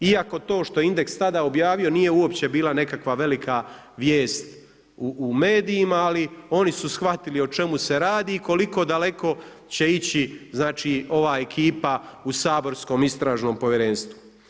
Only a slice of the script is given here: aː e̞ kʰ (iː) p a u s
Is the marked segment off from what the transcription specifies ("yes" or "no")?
no